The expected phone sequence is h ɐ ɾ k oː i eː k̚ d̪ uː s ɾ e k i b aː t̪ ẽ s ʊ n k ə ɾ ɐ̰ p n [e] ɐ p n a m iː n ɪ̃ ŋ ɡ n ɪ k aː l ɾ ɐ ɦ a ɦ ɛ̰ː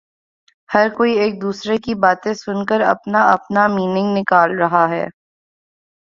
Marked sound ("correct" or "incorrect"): incorrect